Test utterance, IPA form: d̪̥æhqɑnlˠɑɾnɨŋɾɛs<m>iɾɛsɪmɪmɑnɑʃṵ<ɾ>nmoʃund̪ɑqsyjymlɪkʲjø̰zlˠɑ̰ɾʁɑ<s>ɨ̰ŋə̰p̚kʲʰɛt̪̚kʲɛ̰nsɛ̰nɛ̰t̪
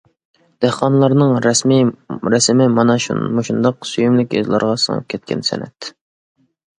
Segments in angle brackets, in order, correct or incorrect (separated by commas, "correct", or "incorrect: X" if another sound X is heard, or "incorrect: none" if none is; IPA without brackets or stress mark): correct, incorrect: none, correct